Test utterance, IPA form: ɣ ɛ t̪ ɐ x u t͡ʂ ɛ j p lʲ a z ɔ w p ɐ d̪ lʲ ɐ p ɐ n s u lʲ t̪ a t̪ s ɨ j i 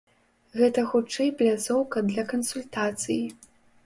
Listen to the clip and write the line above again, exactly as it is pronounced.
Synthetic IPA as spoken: ɣ ɛ t̪ ɐ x u t͡ʂ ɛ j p lʲ a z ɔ w k ɐ d̪ lʲ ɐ k ɐ n s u lʲ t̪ a t̪ s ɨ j i

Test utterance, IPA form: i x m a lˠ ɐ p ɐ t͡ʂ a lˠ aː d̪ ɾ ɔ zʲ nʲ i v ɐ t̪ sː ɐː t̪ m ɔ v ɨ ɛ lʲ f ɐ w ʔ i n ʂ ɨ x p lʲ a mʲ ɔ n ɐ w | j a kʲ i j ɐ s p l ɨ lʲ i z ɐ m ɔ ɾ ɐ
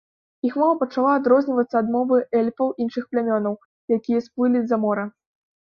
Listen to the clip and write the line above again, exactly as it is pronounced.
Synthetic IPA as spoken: i x m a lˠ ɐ p ɐ t͡ʂ a lˠ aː d̪ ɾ ɔ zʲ nʲ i v ɐ t̪ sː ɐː d̪ m ɔ v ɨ ɛ lʲ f ɐ w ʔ i n ʂ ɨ x p lʲ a mʲ ɔ n ɐ w | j a kʲ i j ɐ s p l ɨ lʲ i z ɐ m ɔ ɾ ɐ

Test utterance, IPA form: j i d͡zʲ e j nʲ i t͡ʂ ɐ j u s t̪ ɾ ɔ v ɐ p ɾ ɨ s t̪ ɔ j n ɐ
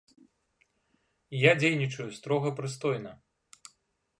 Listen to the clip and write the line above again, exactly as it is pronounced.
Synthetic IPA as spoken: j a d͡zʲ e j nʲ i t͡ʂ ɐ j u s t̪ ɾ ɔ ɣ ɐ p ɾ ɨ s t̪ ɔ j n ɐ

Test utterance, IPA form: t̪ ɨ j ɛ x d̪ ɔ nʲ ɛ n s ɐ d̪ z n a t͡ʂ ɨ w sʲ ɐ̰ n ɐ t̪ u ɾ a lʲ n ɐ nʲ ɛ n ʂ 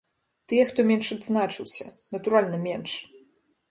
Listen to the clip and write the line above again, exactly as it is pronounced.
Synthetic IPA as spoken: t̪ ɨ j ɛ x t̪ ɔ mʲ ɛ n ʂ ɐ d̪ z n a t͡ʂ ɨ w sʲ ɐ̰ n ɐ t̪ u ɾ a lʲ n ɐ mʲ ɛ n ʂ

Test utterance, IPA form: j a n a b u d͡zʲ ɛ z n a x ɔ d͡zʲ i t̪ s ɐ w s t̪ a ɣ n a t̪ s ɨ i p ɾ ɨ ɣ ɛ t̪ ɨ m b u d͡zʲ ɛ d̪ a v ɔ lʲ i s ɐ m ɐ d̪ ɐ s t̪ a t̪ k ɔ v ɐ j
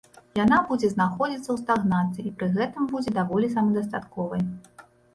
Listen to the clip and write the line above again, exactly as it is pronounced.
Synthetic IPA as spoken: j a n a b u d͡zʲ ɛ z n a x ɔ d͡zʲ i t̪ s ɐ w s t̪ a ɣ n a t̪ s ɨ i p ɾ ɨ ɣ ɛ t̪ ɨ m b u d͡zʲ ɛ d̪ a v ɔ lʲ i s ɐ m ɐ d̪ ɐ s t̪ a t̪ k ɔ v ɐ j

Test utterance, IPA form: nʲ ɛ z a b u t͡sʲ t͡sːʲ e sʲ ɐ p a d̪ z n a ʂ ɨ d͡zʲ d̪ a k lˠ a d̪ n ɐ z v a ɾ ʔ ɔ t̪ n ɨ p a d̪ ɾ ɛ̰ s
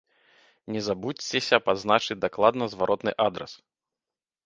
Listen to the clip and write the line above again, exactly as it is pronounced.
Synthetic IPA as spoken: nʲ ɛ z a b u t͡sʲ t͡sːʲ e sʲ ɐ p a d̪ z n a t͡ʂ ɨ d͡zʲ d̪ a k lˠ a d̪ n ɐ z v a ɾ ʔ ɔ t̪ n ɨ ʔ a d̪ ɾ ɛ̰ s

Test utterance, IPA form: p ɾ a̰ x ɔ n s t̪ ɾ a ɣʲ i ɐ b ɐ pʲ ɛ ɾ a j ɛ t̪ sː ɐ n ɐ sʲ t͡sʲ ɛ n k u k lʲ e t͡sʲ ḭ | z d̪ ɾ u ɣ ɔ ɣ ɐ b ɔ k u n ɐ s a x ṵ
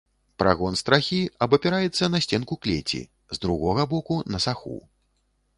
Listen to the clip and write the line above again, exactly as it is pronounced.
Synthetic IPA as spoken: p ɾ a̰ ɣ ɔ n s t̪ ɾ a xʲ i ɐ b ɐ pʲ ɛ ɾ a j ɛ t̪ sː ɐ n ɐ sʲ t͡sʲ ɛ n k u k lʲ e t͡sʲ ḭ | z d̪ ɾ u ɣ ɔ ɣ ɐ b ɔ k u n ɐ s a x ṵ

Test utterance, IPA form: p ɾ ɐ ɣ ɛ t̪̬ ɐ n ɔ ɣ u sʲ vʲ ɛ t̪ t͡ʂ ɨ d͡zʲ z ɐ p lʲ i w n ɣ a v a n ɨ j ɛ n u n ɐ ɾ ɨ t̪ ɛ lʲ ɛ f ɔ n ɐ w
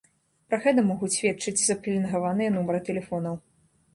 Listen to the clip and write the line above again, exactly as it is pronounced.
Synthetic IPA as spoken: p ɾ ɐ ɣ ɛ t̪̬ ɐ m ɔ ɣ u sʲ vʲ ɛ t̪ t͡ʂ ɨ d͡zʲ z ɐ p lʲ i n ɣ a v a n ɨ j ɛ n u m ɐ ɾ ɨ t̪ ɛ lʲ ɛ f ɔ n ɐ w

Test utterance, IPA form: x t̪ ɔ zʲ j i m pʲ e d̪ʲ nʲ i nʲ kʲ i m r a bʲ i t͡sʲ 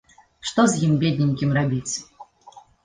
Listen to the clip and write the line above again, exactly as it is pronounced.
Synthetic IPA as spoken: ʂ t̪ ɔ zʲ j i m bʲ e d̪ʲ nʲ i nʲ kʲ i m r a bʲ i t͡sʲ

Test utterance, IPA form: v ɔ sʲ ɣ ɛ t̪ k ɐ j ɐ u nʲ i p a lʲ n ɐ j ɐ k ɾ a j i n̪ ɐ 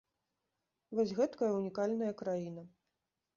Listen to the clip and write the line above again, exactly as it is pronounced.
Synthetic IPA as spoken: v ɔ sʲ ɣ ɛ t̪ k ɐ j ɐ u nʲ i k a lʲ n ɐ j ɐ k ɾ a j i n̪ ɐ

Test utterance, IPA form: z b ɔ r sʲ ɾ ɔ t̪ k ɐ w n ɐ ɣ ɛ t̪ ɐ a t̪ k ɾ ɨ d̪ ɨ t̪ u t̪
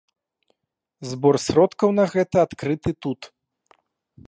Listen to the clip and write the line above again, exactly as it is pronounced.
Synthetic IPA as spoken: z b ɔ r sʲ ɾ ɔ t̪ k ɐ w n ɐ ɣ ɛ t̪ ɐ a t̪ k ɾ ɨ t̪ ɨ t̪ u t̪

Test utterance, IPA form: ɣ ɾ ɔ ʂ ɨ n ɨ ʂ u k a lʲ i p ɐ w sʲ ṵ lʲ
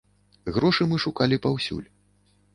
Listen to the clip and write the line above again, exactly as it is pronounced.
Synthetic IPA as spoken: ɣ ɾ ɔ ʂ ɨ m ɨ ʂ u k a lʲ i p a w sʲ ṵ lʲ

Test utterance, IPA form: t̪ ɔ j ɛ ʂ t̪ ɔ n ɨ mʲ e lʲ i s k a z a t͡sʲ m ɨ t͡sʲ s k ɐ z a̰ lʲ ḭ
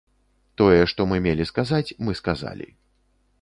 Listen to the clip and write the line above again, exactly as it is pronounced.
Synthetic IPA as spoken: t̪ ɔ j ɛ ʂ t̪ ɔ m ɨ mʲ e lʲ i s k a z a t͡sʲ m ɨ s k a z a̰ lʲ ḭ

